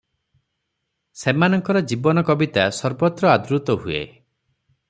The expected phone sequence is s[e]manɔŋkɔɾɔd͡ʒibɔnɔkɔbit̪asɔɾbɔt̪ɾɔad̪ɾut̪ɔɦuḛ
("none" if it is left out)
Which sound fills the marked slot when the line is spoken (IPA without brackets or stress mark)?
e